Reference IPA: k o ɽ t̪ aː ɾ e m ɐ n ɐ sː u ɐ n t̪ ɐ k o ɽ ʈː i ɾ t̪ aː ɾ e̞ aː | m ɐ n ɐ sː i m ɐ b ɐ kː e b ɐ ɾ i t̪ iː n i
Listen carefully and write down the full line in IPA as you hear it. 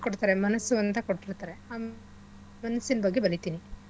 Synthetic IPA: k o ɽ t̪ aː ɾ e m ɐ n ɐ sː u ɐ n t̪ ɐ k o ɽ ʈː i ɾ t̪ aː ɾ e̞ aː | m ɐ n ɐ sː i n ɐ b ɐ ɡː e b ɐ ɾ i t̪ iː n i

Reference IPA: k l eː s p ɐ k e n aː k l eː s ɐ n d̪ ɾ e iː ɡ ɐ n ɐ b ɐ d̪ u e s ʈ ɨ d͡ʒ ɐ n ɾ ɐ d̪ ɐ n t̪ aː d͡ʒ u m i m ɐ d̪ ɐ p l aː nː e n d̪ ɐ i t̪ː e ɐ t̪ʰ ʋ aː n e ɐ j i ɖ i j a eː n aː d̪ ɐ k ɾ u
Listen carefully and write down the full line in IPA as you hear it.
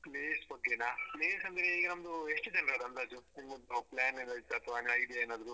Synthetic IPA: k l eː s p ɐ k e n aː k l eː s ɐ n d̪ ɾ e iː ɡ ɐ n ɐ m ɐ d̪ u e ʂ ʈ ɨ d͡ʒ ɐ n ɾ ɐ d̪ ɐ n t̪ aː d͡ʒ u n i m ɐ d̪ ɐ p l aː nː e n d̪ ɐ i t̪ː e ɐ t̪ʰ ʋ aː n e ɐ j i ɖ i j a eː n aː d̪ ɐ ɾ u

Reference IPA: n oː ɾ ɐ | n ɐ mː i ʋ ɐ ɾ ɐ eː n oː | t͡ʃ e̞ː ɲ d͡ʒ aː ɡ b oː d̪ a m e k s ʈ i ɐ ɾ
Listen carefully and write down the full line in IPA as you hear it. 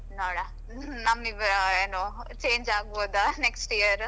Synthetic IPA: n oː ɽ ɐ | n ɐ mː i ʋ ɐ ɾ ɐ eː n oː | t͡ʃ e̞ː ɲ d͡ʒ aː ɡ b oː d̪ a n e k s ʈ i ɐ ɾ

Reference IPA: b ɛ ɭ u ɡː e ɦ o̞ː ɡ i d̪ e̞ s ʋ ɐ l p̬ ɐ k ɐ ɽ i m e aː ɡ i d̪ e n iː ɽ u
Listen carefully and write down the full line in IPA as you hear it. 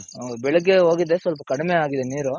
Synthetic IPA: b ɛ ɭ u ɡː e ɦ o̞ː ɡ i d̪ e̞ s ʋ ɐ l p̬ ɐ k ɐ ɽ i m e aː ɡ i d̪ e n iː ɾ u

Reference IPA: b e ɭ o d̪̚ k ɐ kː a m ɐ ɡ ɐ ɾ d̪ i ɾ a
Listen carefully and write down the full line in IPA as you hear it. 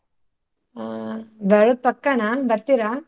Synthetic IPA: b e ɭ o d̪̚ p ɐ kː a n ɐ b ɐ ɾ t̪ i ɾ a

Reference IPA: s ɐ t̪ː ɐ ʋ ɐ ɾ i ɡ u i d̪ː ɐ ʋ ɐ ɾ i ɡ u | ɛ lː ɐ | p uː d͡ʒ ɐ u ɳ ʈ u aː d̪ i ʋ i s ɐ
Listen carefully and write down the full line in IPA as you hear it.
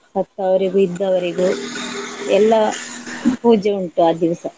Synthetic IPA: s ɐ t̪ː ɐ ʋ ɐ ɾ i ɡ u i d̪ː ɐ ʋ ɐ ɾ i ɡ u | ɛ lː ɐ | p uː d͡ʒ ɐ u ɳ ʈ u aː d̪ i ʋ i s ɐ

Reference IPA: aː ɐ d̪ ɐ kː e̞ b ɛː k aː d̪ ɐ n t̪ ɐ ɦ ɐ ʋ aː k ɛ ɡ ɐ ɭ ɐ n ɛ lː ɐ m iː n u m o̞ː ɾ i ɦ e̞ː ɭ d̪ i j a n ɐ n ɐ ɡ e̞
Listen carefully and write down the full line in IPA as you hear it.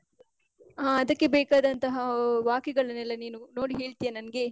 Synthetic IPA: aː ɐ d̪ ɐ kː e̞ b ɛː k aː d̪ ɐ n t̪ ɐ ɦ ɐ ʋ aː k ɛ ɡ ɐ ɭ ɐ n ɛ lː ɐ n iː n u n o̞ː ɽ i ɦ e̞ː ɭ t̪ i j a n ɐ n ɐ ɡ e̞

